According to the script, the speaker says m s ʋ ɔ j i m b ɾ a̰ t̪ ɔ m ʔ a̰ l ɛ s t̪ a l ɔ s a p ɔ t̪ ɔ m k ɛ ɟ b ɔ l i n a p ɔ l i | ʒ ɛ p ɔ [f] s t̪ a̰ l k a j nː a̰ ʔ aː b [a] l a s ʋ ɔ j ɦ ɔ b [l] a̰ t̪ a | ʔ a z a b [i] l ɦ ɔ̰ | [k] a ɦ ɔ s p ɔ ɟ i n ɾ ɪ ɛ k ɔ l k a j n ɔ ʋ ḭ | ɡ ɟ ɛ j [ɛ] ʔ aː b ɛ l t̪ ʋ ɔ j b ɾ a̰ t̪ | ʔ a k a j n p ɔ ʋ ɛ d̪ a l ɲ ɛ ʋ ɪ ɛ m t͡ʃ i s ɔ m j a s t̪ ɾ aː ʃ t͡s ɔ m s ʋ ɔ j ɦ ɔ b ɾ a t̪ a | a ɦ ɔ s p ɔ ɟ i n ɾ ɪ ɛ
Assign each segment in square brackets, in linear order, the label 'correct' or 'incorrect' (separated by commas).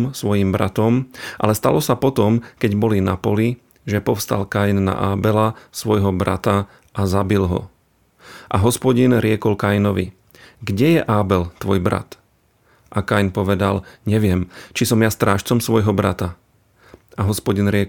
correct, incorrect, incorrect, correct, incorrect, correct